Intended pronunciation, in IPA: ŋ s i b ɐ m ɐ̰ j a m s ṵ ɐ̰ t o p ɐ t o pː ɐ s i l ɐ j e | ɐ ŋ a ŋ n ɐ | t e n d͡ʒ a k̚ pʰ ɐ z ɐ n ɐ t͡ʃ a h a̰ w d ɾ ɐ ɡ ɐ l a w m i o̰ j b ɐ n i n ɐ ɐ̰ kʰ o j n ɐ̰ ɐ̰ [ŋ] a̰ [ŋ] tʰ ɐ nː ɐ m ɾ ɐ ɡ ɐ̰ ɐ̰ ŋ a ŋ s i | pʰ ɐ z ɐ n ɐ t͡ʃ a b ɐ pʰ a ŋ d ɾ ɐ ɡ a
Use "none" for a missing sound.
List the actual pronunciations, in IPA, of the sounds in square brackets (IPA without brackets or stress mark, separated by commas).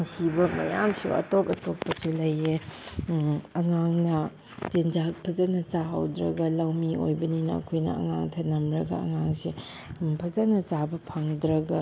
ŋ, ŋ